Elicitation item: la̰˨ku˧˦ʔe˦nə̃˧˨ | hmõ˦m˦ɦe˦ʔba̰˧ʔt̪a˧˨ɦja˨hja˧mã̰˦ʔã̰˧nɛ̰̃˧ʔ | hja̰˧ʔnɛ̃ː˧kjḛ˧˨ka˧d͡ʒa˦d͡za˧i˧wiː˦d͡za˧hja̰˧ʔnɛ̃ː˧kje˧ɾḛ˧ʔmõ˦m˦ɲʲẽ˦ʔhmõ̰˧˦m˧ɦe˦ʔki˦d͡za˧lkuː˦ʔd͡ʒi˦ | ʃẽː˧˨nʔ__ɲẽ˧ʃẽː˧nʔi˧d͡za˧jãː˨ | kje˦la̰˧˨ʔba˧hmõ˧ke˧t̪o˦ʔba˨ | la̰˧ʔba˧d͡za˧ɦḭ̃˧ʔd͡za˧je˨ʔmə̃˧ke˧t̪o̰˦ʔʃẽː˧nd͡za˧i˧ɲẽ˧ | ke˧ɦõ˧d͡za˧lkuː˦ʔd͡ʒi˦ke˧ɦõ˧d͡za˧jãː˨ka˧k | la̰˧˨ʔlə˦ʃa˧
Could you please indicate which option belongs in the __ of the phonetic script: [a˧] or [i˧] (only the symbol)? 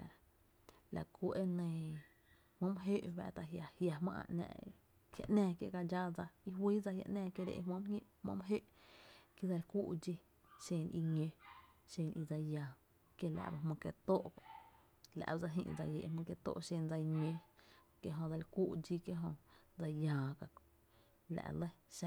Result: i˧